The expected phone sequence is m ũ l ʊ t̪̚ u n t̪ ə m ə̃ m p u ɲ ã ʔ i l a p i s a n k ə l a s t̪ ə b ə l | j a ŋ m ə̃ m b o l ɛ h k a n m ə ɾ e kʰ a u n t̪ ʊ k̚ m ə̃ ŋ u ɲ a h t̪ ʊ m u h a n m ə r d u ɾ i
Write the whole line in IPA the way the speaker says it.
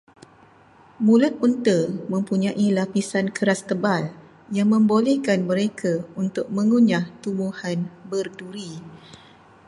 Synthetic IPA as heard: m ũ l ʊ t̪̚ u n t̪ ə m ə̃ m p u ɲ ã ʔ i l a p i s a n k ə ɾ a s t̪ ə b a l | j a ŋ m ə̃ m b o l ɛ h k a n m ə ɾ e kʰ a u n t̪ ʊ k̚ m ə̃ ŋ u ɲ a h t̪ u m u h a n b ə r d u ɾ i